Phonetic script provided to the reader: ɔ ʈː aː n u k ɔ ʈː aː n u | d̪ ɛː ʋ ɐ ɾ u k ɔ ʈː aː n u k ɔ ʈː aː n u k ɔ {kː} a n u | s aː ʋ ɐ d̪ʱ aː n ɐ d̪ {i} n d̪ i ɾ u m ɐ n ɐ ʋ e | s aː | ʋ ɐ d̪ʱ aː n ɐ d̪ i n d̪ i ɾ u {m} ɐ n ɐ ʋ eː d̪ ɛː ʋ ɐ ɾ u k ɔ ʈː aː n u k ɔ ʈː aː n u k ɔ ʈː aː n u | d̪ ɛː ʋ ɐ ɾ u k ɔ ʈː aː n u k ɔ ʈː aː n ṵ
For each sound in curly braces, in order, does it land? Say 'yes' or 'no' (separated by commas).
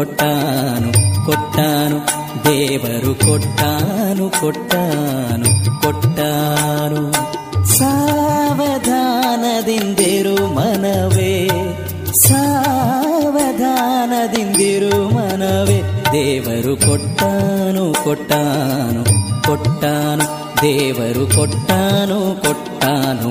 no, yes, yes